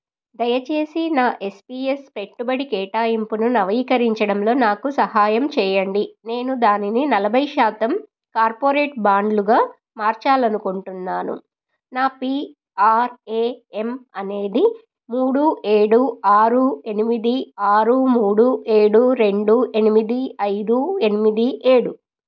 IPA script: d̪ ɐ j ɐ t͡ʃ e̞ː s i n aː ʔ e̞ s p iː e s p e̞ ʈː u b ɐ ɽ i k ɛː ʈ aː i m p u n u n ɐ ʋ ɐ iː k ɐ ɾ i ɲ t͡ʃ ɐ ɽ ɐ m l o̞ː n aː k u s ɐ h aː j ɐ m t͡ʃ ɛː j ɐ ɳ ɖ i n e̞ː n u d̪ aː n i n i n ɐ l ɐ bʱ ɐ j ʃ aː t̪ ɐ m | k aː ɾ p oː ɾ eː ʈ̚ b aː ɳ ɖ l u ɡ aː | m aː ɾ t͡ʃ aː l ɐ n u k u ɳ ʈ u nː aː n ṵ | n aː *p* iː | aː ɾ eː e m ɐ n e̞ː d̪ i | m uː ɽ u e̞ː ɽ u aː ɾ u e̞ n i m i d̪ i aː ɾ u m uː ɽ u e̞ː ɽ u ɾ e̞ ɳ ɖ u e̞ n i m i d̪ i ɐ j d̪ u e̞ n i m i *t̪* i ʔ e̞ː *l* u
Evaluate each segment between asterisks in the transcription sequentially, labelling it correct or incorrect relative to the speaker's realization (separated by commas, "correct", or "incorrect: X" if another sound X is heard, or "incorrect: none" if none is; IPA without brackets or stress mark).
correct, incorrect: d̪, incorrect: ɽ